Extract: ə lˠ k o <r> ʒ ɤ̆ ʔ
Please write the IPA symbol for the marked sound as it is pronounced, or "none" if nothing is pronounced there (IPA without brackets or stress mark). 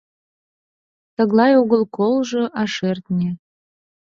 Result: l